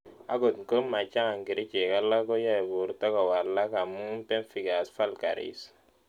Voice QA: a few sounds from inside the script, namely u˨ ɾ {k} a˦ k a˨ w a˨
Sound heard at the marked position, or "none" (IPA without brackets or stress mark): t